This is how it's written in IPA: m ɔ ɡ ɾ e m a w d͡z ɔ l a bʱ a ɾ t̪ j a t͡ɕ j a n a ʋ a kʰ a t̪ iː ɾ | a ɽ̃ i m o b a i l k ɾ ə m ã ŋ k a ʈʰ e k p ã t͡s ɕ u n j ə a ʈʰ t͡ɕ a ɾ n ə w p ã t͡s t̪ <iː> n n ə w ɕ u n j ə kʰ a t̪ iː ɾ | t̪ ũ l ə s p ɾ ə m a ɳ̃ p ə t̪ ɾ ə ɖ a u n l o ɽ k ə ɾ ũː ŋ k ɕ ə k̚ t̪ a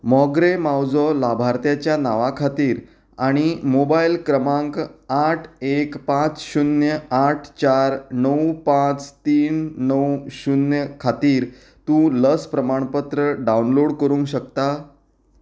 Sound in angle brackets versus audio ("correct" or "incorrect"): correct